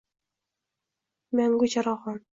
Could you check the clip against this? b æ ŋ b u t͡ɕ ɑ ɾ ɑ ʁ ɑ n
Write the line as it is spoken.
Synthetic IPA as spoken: m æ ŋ ɡ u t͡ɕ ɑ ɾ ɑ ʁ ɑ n